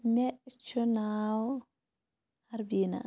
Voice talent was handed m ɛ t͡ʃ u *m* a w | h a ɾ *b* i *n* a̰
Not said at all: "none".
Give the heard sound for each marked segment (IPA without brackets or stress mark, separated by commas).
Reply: n, b, n